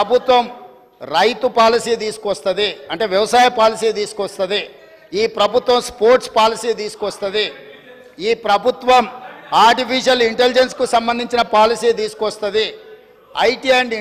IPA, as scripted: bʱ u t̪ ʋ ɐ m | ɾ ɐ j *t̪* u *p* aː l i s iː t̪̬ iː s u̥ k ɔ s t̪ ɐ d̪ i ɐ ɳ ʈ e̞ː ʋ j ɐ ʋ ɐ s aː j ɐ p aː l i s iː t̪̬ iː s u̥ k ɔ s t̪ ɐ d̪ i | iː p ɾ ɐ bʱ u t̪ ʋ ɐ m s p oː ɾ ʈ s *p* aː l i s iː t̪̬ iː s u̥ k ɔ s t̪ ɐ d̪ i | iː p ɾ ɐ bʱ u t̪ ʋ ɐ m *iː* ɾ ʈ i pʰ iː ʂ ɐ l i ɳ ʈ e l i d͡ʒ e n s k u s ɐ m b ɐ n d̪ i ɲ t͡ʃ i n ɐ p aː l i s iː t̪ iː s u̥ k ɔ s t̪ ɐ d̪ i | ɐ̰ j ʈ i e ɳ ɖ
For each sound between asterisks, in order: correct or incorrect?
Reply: correct, correct, correct, incorrect

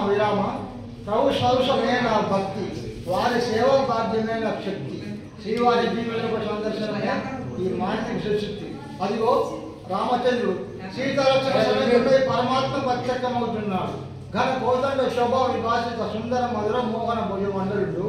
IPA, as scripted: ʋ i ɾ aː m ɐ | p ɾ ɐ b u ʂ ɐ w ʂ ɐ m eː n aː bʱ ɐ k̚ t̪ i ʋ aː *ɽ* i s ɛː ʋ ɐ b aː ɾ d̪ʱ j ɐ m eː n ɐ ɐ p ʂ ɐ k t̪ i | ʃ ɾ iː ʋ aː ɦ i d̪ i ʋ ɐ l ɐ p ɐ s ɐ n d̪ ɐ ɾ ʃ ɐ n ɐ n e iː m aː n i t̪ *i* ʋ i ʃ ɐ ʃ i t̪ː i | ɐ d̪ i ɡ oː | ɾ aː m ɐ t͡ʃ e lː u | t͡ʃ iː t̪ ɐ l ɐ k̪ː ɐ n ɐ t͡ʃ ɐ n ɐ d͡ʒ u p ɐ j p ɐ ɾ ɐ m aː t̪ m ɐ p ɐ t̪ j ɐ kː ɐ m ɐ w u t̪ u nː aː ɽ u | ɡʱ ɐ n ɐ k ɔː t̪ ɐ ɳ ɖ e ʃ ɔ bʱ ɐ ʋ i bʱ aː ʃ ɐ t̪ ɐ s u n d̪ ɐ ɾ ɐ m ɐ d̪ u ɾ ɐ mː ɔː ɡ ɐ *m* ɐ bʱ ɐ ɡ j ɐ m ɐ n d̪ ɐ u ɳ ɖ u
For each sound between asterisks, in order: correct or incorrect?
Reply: incorrect, correct, incorrect

